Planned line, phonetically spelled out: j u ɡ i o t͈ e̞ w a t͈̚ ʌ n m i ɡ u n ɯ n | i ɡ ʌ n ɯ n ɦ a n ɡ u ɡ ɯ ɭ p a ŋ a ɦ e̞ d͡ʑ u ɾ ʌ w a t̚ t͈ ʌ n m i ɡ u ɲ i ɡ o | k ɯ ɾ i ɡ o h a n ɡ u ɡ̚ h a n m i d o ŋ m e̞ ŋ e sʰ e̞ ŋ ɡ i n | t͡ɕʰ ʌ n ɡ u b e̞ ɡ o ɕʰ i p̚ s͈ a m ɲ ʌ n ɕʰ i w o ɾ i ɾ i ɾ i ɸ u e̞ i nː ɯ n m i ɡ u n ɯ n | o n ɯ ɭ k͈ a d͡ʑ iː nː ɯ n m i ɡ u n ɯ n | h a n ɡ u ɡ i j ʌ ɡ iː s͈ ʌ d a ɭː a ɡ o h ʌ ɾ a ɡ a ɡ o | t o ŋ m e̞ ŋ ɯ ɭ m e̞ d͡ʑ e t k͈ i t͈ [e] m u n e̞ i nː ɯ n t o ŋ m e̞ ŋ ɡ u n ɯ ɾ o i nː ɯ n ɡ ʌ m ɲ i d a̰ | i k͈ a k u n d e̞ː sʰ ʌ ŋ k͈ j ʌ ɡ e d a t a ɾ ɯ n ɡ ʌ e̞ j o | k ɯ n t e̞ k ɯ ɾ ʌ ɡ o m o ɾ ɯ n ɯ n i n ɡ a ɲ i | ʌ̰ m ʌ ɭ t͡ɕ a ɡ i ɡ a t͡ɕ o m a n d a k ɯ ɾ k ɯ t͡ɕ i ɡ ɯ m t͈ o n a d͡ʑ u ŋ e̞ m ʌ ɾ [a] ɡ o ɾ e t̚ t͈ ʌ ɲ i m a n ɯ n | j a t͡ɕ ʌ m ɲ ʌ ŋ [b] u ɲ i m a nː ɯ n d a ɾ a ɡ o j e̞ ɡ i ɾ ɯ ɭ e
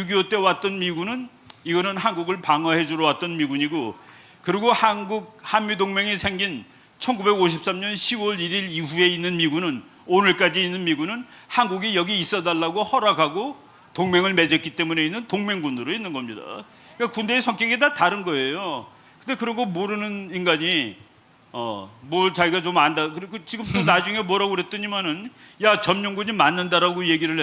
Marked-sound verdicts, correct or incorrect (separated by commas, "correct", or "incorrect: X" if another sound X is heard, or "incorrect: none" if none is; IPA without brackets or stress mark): correct, correct, incorrect: ɡ